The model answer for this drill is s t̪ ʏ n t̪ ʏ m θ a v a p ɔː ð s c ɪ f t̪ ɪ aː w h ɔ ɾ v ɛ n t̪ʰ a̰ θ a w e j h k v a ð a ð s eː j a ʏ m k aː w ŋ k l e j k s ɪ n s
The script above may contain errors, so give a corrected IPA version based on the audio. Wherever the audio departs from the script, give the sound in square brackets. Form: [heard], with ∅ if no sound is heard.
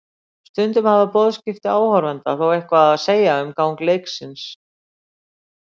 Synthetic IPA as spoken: s t̪ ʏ n t̪ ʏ m [h] a v a p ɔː ð s c ɪ f t̪ ɪ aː w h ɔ ɾ v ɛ n [t̪] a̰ θ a w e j h k v a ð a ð s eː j a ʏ m k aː w ŋ k l e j k s ɪ n s